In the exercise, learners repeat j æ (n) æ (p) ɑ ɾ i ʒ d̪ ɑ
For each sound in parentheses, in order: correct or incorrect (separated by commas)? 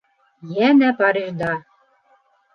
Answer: correct, correct